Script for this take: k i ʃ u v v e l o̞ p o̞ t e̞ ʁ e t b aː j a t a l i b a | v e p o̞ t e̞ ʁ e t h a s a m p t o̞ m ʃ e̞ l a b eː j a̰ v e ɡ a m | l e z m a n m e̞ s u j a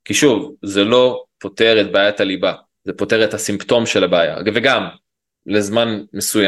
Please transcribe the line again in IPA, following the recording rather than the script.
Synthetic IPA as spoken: k i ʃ u v z e l o̞ p o̞ t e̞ ʁ e t b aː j a t a l i b a | z e p o̞ t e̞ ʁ e t h a s i m p t o̞ m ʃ e̞ l a b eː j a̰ v e ɡ a m | l e z m a n m e̞ s u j a